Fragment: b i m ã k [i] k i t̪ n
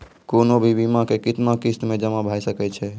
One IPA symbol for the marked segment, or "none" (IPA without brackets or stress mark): e